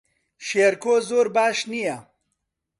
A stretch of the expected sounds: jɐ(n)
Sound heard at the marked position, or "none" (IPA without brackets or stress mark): none